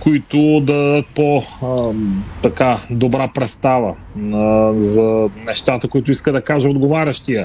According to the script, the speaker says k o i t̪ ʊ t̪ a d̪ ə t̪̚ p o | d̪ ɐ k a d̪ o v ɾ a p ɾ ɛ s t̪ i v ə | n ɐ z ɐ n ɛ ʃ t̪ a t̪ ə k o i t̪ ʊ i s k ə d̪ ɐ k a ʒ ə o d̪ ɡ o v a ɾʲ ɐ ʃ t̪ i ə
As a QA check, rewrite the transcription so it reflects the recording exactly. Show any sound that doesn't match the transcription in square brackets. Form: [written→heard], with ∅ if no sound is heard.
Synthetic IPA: k o i t̪ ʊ [t̪→d̪] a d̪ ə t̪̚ p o | [d̪→t̪] ɐ k a d̪ o [v→b] ɾ a p ɾ ɛ s t̪ [i→a] v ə | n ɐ z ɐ n ɛ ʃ t̪ a t̪ ə k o i t̪ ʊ i s k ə d̪ ɐ k a ʒ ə o d̪ ɡ o v a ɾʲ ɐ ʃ t̪ i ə